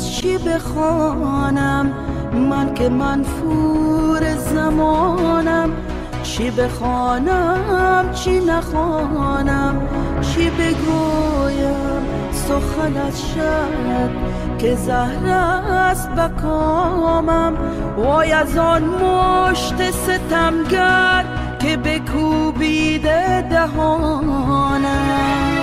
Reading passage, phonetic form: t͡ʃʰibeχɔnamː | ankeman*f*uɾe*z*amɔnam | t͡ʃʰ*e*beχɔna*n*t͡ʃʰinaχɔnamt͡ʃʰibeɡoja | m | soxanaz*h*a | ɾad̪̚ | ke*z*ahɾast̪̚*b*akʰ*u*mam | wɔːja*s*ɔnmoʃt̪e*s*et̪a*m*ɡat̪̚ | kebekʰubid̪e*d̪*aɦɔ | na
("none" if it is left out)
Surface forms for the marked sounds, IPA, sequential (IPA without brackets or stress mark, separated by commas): f, z, i, m, ʃ, z, b, ɔ, z, s, m, d̪